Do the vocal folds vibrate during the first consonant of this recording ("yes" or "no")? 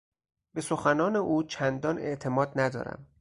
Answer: yes